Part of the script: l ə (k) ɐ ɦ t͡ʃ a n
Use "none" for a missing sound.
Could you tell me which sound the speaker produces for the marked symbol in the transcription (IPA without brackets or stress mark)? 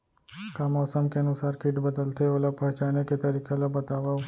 p